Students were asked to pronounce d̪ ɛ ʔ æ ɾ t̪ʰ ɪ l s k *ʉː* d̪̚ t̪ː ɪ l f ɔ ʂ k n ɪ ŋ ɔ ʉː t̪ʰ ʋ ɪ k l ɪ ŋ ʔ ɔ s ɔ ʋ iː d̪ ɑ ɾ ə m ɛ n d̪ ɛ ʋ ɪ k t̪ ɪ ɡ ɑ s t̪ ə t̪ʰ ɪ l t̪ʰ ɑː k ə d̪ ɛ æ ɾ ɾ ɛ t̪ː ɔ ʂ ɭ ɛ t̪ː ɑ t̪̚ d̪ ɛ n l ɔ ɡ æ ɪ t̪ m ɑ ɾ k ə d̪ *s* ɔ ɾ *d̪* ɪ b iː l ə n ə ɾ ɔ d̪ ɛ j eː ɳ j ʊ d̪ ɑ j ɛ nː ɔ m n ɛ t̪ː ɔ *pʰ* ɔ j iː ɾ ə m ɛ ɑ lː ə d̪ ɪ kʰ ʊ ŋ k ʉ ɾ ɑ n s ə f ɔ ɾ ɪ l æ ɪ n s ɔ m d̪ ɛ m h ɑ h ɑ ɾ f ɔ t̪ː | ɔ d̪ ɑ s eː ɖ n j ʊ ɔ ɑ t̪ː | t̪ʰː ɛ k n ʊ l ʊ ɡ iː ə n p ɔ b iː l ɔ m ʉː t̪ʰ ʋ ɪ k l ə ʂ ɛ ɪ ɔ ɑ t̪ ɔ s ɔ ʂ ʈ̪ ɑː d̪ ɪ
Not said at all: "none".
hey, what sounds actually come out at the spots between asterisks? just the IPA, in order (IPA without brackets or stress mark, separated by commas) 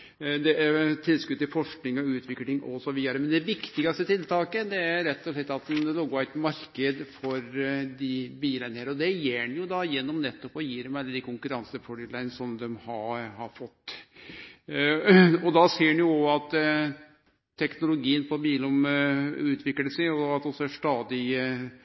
ʉ, f, d̪, p